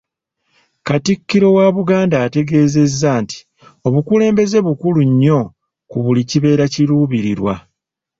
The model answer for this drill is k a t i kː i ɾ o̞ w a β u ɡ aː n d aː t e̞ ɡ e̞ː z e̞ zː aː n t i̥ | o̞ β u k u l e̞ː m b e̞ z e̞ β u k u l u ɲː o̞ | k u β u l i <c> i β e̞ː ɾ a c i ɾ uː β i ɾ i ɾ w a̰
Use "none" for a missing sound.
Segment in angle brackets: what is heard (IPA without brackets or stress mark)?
c